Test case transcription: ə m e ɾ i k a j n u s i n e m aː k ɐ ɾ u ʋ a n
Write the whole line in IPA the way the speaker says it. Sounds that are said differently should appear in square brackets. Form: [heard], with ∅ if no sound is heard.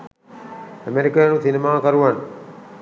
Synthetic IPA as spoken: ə m e ɾ i k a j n u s i n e m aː k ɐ ɾ u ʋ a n